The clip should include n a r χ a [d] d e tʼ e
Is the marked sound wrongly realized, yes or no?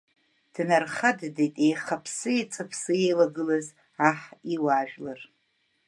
no